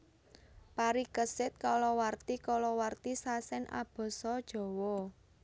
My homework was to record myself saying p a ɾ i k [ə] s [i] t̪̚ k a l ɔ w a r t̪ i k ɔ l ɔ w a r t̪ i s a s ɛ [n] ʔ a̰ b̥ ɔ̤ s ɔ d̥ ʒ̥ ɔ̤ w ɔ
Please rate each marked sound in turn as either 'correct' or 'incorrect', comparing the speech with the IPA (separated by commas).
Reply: correct, incorrect, correct